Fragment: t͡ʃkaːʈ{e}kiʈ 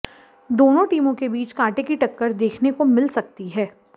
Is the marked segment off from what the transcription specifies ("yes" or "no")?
no